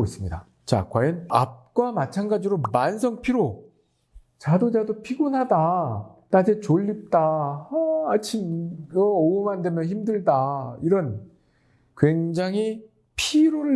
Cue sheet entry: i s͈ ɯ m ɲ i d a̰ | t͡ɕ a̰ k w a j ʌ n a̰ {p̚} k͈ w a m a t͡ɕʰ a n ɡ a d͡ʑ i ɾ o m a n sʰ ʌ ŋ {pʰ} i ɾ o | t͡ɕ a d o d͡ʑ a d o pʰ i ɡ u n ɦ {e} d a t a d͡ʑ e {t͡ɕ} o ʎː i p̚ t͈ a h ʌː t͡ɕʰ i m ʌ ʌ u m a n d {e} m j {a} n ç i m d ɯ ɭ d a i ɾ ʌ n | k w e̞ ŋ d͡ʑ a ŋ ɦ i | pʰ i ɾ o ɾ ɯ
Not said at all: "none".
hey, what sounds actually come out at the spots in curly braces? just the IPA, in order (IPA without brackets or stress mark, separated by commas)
p̚, pʰ, a, t͡ɕ, e, ʌ